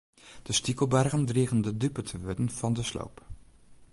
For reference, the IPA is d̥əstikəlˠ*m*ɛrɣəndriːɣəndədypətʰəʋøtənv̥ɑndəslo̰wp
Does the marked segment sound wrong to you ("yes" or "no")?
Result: yes